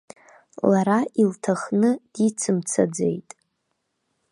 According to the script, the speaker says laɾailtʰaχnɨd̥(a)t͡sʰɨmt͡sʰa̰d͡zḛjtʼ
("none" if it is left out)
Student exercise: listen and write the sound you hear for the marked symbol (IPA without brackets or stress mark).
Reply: i